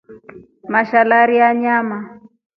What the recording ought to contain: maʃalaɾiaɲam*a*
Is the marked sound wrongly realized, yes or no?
no